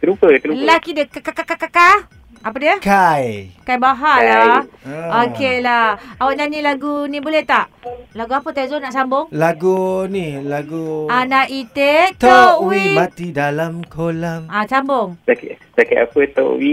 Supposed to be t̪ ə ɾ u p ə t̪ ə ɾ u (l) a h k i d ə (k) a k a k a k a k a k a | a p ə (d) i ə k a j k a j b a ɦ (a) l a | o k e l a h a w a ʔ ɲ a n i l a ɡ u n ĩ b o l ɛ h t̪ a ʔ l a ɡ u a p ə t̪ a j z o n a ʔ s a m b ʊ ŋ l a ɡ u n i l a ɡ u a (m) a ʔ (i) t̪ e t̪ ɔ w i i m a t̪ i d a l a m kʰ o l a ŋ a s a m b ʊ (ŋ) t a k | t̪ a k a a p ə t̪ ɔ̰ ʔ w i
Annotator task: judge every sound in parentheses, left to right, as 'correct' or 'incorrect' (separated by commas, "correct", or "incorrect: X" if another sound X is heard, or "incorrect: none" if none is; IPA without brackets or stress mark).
correct, correct, correct, correct, incorrect: n, correct, correct